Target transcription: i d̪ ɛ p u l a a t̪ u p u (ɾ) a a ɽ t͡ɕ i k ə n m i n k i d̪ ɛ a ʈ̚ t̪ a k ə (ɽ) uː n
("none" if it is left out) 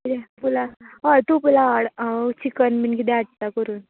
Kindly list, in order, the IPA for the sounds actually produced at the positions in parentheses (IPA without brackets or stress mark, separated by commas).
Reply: l, ɾ